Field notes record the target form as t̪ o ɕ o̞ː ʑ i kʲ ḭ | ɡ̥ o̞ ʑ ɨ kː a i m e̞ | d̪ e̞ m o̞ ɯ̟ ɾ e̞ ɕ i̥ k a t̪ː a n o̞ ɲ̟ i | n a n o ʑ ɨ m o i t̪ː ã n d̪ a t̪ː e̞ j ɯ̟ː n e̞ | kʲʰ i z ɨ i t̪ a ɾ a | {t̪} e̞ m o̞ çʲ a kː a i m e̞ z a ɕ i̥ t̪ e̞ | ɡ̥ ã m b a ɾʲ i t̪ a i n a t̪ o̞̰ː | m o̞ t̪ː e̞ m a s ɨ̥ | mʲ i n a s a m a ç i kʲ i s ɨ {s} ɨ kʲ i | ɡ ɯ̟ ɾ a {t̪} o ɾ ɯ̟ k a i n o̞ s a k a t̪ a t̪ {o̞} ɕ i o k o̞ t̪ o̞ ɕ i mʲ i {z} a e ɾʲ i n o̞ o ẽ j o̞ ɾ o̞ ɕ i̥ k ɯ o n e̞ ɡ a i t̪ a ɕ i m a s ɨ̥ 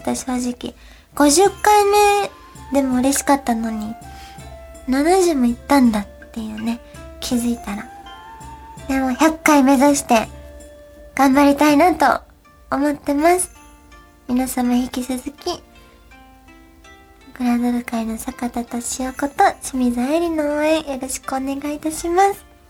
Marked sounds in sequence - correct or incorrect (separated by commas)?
incorrect, incorrect, incorrect, correct, correct